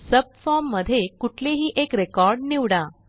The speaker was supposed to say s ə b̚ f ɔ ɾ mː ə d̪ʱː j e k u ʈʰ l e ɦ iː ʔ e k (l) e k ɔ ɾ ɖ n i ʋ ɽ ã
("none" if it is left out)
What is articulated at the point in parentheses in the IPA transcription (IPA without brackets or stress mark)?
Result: ɾ